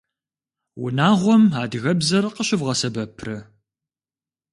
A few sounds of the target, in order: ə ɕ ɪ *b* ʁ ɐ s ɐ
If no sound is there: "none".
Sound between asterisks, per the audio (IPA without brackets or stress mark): v